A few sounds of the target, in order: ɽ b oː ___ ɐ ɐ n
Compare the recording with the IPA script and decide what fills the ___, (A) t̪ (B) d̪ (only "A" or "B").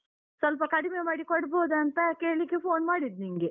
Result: B